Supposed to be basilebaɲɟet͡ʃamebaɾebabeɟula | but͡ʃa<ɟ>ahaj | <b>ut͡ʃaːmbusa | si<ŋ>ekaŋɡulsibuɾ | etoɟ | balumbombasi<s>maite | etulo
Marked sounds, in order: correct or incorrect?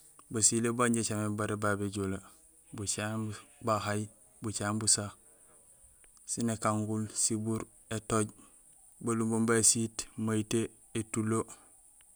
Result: incorrect: b, correct, incorrect: n, incorrect: t

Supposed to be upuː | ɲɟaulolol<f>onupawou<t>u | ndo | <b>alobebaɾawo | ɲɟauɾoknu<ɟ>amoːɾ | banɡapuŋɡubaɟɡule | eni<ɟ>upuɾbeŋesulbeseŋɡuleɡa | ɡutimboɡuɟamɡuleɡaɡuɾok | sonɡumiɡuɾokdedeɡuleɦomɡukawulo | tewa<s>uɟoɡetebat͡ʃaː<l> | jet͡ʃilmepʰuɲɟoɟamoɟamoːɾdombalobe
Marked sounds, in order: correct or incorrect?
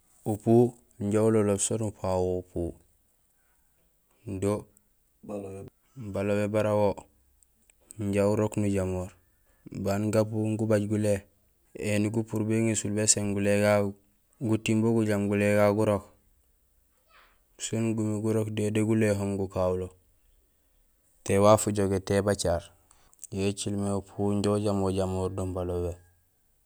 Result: incorrect: s, incorrect: p, correct, correct, incorrect: ɡ, incorrect: f, incorrect: ɾ

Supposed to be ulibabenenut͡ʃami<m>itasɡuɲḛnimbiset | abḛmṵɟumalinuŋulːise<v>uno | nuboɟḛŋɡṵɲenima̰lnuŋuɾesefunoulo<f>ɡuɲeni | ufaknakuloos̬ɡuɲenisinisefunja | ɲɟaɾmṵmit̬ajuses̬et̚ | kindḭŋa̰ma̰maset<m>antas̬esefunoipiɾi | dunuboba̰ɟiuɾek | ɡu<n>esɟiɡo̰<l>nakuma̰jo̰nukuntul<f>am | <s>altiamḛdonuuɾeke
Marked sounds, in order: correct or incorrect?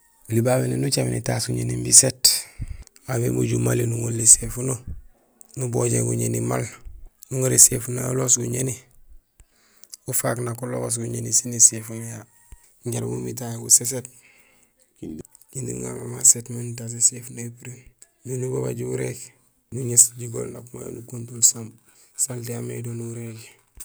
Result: incorrect: n, incorrect: f, incorrect: s, correct, incorrect: ɲ, correct, incorrect: s, correct

